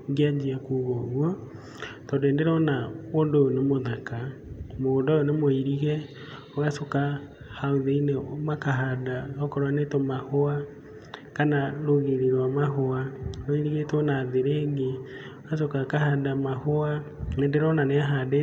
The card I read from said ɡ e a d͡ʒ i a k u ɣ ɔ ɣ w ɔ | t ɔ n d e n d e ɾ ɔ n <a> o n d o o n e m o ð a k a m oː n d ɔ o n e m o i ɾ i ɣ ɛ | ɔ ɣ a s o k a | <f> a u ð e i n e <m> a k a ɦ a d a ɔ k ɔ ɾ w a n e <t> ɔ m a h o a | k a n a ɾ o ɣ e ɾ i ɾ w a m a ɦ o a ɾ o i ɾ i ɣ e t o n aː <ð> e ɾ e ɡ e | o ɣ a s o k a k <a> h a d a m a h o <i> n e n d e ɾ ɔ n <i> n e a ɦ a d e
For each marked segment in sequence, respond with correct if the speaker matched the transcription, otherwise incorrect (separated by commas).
correct, incorrect, correct, correct, correct, correct, incorrect, incorrect